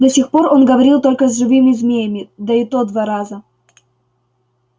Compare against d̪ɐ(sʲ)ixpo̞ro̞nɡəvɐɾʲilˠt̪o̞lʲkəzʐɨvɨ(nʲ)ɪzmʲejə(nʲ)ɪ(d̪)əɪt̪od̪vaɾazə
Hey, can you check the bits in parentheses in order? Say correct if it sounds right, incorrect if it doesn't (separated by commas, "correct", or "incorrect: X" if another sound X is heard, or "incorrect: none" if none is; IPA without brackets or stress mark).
correct, incorrect: mʲ, incorrect: mʲ, correct